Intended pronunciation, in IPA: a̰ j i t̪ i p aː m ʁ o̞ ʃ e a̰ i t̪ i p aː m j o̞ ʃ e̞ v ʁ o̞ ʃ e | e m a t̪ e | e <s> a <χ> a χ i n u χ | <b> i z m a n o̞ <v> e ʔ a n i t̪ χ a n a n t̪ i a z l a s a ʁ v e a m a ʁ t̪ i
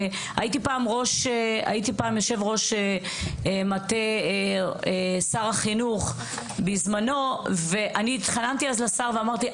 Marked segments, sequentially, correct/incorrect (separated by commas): correct, incorrect, correct, correct